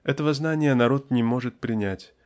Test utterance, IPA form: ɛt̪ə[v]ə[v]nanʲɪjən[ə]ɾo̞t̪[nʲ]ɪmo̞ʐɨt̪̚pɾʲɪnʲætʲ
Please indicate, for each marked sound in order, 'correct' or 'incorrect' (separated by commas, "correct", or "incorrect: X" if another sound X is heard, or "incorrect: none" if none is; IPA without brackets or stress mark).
correct, incorrect: z, incorrect: ɐ, correct